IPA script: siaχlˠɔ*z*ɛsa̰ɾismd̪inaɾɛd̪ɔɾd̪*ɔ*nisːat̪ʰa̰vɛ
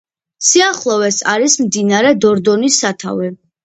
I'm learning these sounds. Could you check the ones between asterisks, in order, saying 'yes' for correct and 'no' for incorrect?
no, yes

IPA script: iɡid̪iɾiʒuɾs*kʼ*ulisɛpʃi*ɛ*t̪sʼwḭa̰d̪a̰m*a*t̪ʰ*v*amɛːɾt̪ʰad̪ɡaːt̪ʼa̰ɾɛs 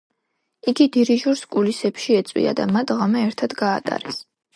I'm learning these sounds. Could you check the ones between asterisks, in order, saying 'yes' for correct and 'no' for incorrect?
yes, yes, yes, no

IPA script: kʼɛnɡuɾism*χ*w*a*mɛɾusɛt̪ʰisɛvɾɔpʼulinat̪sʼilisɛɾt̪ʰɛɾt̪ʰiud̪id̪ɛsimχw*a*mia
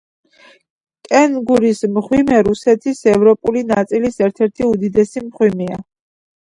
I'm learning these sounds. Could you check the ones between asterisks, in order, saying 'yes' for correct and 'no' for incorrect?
yes, no, no

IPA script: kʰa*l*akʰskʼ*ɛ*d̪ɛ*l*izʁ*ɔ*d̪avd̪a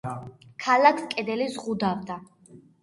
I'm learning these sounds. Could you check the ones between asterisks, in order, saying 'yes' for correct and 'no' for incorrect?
yes, yes, yes, no

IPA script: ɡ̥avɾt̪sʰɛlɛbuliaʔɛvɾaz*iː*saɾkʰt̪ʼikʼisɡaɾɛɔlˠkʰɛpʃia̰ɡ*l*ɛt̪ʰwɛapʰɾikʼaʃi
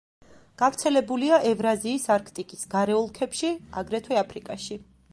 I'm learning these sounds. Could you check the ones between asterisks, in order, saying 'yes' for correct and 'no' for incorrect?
yes, no

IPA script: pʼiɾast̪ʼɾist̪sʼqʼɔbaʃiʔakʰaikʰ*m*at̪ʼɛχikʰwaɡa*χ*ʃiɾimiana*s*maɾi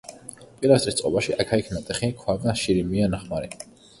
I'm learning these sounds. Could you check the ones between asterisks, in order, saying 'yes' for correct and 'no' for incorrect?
no, no, no

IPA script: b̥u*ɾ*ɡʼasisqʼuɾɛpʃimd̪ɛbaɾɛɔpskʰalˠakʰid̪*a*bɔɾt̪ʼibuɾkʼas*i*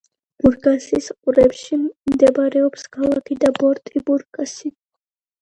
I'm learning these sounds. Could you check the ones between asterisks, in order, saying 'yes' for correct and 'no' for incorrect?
yes, yes, yes

